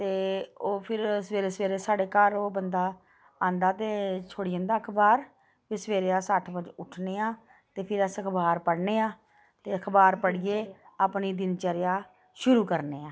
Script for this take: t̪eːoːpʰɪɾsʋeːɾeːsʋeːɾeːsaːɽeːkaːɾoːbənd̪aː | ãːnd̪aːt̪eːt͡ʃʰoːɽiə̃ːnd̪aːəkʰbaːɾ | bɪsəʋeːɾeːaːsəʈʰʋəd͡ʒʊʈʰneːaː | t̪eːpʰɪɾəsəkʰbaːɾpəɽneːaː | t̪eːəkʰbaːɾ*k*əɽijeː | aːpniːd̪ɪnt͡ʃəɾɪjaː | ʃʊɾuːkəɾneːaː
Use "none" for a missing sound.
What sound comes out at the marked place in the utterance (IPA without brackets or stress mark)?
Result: p